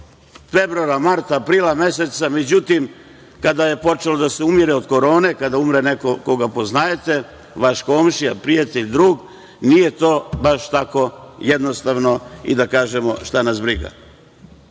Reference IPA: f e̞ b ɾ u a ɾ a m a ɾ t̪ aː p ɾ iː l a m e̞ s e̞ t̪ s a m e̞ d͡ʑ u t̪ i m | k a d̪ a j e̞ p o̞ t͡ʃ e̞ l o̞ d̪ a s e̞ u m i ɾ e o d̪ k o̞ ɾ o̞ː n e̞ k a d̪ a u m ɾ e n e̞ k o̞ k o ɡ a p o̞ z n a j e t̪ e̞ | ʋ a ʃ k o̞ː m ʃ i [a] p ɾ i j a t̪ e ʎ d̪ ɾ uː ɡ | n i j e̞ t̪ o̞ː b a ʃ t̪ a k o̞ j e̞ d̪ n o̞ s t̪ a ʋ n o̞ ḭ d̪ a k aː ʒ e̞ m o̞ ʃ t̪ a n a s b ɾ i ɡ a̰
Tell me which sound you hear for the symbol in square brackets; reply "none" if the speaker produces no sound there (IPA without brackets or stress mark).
a